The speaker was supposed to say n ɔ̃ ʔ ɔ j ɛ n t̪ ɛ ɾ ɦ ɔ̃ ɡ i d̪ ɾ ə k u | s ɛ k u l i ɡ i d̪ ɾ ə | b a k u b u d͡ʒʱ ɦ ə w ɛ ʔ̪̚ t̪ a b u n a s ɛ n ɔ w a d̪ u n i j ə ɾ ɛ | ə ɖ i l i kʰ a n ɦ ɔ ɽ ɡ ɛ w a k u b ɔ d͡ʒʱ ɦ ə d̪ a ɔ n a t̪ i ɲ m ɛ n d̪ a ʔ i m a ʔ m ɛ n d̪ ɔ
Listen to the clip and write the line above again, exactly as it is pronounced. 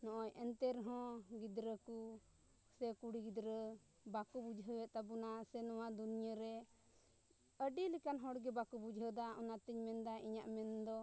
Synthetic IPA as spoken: n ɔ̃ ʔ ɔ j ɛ n t̪ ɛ ɾ ɦ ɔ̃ ɡ i d̪ ɾ ə k u | s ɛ k u ɽ i ɡ i d̪ ɾ ə | b a k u b u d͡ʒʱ ɦ ə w ɛ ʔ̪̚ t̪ a b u n a s ɛ n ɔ w a d̪ u n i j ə ɾ ɛ | ə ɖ i l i k a n ɦ ɔ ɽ ɡ ɛ b a k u b u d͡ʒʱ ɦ ə d̪ a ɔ n a t̪ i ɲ m ɛ n d̪ a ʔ i ɲ a ʔ m ɛ n d̪ ɔ